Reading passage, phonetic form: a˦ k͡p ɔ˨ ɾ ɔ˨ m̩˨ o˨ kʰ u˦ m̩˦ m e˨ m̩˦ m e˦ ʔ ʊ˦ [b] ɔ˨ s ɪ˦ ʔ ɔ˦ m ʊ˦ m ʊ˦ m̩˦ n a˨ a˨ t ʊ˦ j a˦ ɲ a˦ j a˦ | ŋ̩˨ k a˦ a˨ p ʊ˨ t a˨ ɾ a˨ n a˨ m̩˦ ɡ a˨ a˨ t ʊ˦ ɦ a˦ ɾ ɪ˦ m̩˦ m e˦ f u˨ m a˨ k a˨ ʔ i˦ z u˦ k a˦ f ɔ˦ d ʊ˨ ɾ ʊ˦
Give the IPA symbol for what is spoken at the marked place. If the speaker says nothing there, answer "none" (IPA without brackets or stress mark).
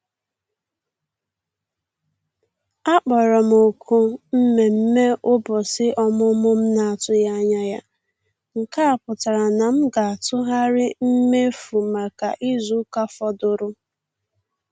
b